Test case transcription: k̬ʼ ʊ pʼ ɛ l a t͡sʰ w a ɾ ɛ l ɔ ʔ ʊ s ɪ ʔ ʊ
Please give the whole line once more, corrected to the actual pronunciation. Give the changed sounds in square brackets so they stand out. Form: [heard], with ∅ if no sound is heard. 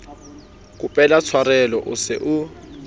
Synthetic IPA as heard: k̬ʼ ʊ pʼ ɛ l a t͡sʰ w a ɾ ɛ l ɔ ʔ ʊ s ɪ ʔ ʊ

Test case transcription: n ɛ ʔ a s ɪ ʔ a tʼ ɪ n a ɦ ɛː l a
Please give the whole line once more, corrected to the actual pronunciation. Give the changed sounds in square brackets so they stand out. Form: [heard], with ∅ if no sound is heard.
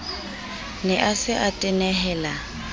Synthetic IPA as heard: n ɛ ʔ a s ɪ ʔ a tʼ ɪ n [ɛ] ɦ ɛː l a

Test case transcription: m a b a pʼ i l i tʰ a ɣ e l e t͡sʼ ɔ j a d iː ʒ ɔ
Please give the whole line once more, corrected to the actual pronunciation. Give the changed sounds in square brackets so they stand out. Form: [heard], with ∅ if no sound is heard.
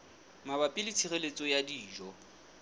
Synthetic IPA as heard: m a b a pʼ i l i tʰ [i] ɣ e l e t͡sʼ ɔ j a d iː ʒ ɔ

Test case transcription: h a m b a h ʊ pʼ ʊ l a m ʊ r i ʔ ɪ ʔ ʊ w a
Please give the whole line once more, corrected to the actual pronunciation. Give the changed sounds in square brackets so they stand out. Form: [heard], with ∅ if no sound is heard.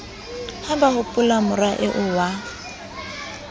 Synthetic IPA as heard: h a m b a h ʊ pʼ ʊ l a m ʊ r [a] ʔ ɪ ʔ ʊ w a

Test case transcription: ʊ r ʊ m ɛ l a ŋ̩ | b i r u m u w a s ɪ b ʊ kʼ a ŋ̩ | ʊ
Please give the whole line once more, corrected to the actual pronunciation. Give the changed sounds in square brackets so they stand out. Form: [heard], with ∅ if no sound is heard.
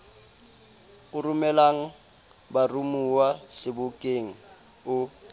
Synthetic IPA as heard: ʊ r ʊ m ɛ l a ŋ̩ | b [a] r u m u w a s ɪ b ʊ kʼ [e] ŋ̩ | ʊ

